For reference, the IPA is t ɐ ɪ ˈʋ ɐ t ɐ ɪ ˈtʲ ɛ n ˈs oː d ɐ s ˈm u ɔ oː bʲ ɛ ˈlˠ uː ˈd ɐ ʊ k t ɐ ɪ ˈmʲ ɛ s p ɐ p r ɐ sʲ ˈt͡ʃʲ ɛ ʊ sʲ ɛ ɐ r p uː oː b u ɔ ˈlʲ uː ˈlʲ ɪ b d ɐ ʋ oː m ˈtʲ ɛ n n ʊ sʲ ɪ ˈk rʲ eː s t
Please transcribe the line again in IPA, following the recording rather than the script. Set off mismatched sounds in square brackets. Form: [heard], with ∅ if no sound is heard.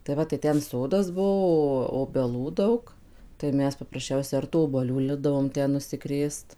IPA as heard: t ɐ ɪ ˈʋ ɐ t ɐ ɪ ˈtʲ ɛ n ˈs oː d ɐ s [ˈb] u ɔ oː bʲ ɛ ˈlˠ uː ˈd ɐ ʊ k t ɐ ɪ ˈmʲ ɛ s p ɐ p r ɐ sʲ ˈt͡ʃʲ ɛ ʊ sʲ ɛ ɐ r [t] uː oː b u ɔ ˈlʲ uː ˈlʲ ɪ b d ɐ ʋ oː m ˈtʲ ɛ n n ʊ sʲ ɪ ˈk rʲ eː s t

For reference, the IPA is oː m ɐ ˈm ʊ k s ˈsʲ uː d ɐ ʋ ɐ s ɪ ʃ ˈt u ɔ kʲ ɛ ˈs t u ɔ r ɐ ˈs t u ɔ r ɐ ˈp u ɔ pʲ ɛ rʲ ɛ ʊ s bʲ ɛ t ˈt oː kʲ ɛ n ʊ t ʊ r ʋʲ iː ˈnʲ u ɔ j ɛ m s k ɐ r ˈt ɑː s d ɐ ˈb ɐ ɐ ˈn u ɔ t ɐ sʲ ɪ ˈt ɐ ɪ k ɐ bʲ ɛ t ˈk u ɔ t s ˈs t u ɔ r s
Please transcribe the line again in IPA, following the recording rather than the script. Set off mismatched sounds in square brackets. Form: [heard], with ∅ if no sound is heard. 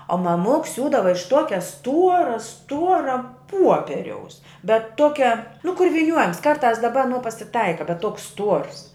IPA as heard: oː m ɐ ˈm ʊ k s ˈsʲ uː d ɐ ʋ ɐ [∅] ɪ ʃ ˈt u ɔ kʲ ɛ ˈs t u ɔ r ɐ ˈs t u ɔ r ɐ ˈp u ɔ pʲ ɛ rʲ ɛ ʊ s bʲ ɛ t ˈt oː kʲ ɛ n ʊ [k] ʊ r ʋʲ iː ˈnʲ u ɔ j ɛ m s k ɐ r ˈt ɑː s d ɐ ˈb ɐ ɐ ˈn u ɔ [p] ɐ sʲ ɪ ˈt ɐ ɪ k ɐ bʲ ɛ t [ˈt] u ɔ [k] s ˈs t u ɔ r s

